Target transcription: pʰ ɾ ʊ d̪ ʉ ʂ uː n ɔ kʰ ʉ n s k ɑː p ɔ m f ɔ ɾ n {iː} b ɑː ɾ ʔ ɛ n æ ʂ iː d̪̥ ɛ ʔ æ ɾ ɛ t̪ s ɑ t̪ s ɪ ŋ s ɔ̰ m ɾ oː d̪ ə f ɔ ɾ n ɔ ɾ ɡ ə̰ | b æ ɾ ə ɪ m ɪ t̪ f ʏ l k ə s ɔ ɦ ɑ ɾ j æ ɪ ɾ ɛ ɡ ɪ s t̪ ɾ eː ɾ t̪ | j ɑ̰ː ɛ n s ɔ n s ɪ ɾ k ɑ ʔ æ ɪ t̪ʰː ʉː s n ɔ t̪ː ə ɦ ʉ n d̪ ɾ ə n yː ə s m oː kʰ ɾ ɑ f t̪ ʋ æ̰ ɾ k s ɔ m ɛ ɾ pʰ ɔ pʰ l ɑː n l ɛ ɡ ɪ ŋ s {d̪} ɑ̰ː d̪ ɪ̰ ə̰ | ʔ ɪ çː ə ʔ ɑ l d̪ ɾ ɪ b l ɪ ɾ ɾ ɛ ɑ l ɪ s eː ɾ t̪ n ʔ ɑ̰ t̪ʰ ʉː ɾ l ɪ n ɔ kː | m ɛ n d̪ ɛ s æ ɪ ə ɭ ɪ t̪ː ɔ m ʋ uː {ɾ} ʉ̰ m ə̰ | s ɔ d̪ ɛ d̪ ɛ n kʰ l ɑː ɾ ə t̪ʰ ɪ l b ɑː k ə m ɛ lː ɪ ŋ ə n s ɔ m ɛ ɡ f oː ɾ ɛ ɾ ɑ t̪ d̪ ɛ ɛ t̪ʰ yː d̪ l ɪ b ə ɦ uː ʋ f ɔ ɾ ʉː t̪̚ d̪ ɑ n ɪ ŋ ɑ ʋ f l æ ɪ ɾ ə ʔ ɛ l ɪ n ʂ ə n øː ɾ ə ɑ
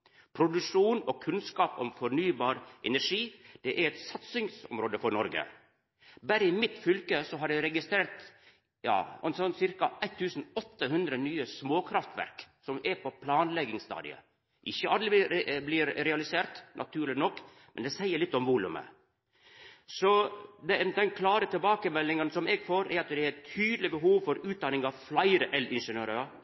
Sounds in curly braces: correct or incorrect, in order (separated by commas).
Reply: incorrect, incorrect, incorrect